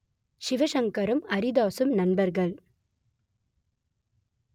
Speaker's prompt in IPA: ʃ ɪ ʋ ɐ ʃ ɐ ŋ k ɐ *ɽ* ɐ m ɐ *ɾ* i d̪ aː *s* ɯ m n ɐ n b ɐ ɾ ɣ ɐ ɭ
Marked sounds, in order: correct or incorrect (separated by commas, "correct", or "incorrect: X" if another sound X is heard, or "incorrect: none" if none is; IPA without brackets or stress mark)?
incorrect: ɾ, correct, correct